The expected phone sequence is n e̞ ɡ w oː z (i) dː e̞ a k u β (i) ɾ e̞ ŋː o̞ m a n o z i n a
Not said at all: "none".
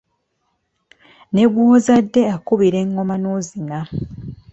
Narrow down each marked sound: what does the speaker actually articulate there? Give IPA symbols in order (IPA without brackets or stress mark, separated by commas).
a, i